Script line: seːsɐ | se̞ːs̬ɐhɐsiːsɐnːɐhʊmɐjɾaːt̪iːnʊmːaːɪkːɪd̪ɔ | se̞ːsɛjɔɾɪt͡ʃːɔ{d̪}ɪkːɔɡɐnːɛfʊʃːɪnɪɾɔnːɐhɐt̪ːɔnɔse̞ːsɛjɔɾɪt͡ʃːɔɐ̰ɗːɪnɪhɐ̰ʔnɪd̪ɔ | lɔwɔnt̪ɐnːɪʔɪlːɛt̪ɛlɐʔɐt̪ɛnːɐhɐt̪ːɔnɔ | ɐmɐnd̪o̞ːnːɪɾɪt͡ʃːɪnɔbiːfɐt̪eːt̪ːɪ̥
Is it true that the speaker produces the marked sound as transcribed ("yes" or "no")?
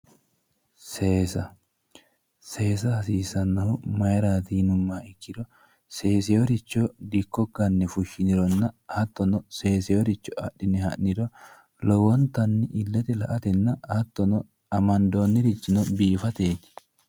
yes